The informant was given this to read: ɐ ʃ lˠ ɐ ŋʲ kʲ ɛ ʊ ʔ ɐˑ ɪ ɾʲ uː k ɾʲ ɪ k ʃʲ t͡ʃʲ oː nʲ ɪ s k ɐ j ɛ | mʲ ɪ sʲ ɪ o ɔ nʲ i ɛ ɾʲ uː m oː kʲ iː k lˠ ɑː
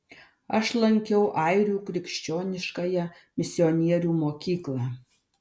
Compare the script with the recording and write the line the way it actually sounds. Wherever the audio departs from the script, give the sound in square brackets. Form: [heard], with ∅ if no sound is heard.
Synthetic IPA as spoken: ɐ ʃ lˠ ɐ ŋʲ kʲ ɛ ʊ ʔ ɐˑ ɪ ɾʲ uː k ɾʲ ɪ k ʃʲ t͡ʃʲ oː nʲ ɪ [ʃ] k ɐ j ɛ | mʲ ɪ sʲ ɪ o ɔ nʲ i ɛ ɾʲ uː m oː kʲ iː k lˠ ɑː